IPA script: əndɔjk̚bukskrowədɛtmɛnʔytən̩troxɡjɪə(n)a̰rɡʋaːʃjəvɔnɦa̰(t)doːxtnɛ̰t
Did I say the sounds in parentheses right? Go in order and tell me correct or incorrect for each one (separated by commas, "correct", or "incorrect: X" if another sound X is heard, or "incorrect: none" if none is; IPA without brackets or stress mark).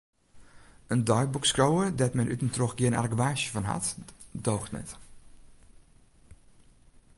correct, correct